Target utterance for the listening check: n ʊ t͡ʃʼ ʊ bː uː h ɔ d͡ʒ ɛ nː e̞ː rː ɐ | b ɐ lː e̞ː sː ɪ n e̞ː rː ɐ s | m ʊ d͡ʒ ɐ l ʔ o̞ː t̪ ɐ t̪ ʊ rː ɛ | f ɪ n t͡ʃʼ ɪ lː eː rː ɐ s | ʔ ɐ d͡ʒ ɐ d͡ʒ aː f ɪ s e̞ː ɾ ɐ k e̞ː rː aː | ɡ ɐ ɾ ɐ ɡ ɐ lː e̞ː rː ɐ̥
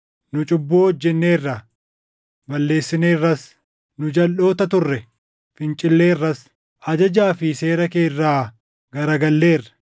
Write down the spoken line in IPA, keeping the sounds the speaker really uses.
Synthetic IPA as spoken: n ʊ t͡ʃʼ ʊ bː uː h ɔ d͡ʒː ɛ nː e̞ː rː ɐ | b ɐ lː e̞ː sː ɪ n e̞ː rː ɐ s | n ʊ d͡ʒ ɐ l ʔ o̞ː t̪ ɐ t̪ ʊ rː ɛ | f ɪ n t͡ʃʼ ɪ lː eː rː ɐ s | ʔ ɐ d͡ʒ ɐ d͡ʒ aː f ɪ s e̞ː ɾ ɐ k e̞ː rː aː | ɡ ɐ ɾ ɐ ɡ ɐ lː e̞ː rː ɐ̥